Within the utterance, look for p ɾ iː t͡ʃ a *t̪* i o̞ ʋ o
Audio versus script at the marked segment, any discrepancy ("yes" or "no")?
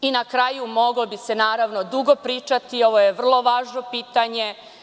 no